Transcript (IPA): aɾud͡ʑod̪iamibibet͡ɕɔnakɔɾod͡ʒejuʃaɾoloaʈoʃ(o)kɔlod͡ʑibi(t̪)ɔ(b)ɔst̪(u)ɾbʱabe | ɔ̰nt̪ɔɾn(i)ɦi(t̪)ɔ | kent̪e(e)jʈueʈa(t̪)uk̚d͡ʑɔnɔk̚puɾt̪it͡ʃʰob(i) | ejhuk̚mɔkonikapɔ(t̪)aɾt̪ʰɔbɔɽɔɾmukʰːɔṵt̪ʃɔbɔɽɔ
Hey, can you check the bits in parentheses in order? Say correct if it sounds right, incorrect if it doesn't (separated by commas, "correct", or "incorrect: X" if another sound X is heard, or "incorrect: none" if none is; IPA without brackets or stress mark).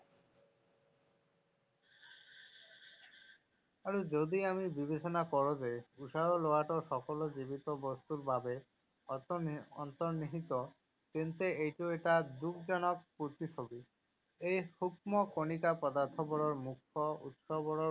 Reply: incorrect: ɔ, correct, correct, correct, correct, correct, correct, incorrect: d̪, correct, incorrect: d̪